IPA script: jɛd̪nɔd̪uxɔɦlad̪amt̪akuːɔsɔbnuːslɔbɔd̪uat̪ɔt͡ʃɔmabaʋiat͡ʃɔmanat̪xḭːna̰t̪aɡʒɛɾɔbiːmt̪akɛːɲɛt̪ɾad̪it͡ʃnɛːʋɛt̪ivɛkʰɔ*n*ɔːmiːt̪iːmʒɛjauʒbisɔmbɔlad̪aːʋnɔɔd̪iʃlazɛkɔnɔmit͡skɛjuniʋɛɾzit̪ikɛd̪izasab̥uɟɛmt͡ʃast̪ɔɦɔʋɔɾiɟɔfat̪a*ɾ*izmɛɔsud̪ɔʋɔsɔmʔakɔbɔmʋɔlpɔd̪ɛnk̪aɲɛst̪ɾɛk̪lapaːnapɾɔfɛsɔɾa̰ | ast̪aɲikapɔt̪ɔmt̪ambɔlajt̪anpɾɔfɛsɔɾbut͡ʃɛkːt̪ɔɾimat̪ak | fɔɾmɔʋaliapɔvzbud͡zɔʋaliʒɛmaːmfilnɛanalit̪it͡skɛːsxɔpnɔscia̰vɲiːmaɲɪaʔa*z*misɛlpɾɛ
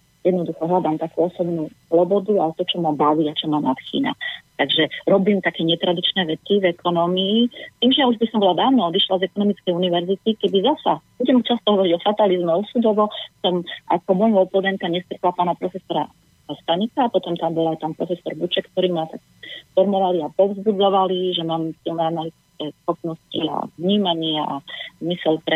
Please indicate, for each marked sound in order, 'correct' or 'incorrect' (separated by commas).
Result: correct, incorrect, correct